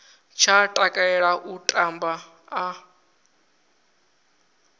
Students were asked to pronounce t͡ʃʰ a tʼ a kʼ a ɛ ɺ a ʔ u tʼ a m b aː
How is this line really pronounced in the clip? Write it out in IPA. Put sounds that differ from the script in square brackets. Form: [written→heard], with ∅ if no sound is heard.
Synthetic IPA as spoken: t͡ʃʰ a tʼ a kʼ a ɛ ɺ a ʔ u tʼ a m b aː